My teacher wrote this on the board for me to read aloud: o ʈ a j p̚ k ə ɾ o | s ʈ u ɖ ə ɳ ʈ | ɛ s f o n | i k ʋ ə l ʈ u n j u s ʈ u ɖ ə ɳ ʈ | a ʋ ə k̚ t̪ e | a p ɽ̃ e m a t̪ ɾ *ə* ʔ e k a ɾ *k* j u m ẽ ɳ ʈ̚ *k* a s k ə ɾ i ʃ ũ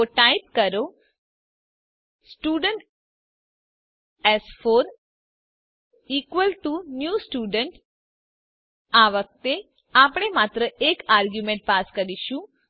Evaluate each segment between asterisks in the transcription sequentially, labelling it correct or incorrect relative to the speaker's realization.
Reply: correct, incorrect, incorrect

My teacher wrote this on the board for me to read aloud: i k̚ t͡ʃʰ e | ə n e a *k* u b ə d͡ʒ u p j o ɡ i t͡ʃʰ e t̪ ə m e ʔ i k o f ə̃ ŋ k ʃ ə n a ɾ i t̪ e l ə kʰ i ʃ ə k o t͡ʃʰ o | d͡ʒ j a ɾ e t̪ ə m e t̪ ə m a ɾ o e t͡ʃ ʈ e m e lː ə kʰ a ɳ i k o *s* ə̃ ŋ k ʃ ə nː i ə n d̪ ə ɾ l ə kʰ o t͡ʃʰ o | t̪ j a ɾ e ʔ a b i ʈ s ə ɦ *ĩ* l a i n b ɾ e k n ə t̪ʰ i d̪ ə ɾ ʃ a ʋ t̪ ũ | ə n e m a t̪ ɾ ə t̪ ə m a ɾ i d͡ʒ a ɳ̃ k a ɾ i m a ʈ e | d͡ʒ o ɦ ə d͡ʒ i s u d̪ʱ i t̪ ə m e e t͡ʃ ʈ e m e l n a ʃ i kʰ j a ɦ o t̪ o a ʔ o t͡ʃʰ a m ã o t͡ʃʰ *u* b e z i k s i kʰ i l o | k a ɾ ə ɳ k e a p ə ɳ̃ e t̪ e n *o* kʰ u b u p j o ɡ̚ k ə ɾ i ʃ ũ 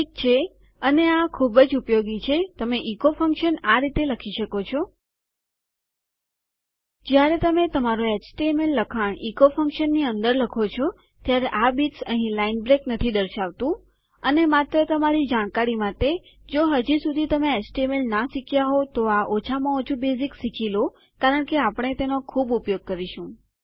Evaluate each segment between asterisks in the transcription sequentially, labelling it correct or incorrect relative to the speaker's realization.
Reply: incorrect, incorrect, correct, correct, correct

